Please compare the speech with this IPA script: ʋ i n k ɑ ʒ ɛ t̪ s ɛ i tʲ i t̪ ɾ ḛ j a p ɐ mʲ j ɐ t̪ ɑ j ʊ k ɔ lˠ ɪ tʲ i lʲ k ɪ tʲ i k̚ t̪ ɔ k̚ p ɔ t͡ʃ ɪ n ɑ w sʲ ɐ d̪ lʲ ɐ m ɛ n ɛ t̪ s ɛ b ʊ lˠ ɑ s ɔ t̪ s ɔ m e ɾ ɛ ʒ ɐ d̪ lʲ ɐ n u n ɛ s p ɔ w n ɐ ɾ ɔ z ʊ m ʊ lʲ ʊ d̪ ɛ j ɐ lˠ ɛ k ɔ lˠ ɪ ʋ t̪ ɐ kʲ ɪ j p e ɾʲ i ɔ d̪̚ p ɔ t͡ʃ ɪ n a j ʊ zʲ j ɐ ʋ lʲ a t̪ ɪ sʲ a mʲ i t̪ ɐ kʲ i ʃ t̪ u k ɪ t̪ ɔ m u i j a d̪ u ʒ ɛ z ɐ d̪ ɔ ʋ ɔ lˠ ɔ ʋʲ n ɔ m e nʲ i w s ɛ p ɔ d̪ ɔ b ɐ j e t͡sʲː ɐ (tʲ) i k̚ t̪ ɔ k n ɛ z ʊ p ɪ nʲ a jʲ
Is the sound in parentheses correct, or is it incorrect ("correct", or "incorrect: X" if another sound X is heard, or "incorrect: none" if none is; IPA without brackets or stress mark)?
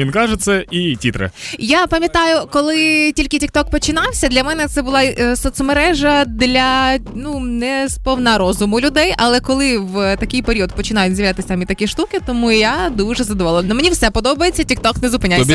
correct